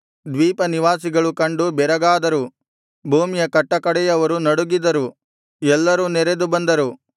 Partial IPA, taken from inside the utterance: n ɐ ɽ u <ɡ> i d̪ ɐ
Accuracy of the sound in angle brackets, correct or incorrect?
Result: correct